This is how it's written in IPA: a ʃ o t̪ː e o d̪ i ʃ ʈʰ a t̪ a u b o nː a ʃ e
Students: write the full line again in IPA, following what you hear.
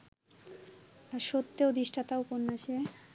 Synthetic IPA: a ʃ o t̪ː e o d̪ i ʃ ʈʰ a t̪ a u p o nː a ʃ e